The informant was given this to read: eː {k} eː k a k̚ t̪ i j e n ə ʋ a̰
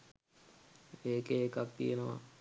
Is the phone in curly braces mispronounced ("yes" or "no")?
no